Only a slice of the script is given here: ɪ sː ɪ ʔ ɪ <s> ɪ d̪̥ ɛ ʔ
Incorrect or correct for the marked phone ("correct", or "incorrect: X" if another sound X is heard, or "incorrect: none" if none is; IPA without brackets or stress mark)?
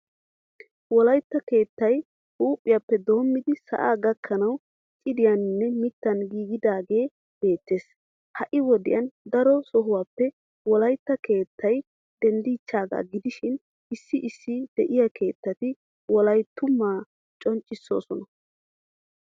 incorrect: sː